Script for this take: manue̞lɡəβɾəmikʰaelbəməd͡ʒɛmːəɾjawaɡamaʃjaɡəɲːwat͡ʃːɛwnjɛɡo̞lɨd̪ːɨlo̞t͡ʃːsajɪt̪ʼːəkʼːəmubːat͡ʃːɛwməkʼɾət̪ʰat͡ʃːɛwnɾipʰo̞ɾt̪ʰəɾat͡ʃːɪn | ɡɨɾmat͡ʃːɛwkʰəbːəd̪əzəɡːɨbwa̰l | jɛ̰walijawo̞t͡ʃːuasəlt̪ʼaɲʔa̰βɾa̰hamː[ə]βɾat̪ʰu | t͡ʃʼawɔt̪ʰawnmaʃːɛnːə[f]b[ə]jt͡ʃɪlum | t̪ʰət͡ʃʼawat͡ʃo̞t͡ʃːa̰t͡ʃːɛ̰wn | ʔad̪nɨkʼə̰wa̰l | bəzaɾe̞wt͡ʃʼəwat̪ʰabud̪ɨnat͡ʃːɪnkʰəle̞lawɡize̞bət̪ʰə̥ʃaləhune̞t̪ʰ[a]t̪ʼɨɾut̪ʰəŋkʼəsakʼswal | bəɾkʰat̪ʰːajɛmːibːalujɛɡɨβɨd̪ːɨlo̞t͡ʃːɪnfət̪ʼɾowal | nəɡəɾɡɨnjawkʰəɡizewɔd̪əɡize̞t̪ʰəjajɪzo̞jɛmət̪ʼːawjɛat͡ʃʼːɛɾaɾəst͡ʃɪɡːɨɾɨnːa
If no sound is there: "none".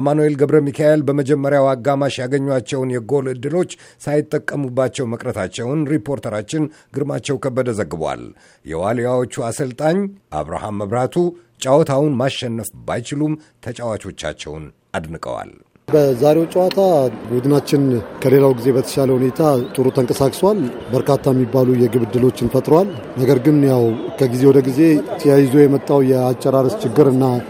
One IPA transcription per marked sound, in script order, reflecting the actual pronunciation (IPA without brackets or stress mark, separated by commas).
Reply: ə, f, a, a